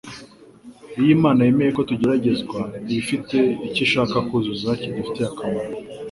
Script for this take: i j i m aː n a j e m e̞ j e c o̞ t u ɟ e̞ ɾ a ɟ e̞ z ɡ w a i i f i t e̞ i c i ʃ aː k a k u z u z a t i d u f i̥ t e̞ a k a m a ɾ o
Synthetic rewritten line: i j i m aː n a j e m e̞ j e k o̞ t u ɟ e̞ ɾ a ɟ e̞ z ɡ w a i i f i t e̞ i c i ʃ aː k a k u z u z a c i d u f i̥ t e̞ a k a m a ɾ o